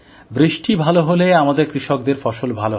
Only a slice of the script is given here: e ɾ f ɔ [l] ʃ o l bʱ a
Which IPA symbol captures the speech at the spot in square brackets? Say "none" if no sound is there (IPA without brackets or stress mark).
none